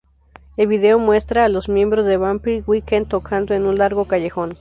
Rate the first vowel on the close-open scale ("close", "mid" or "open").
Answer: mid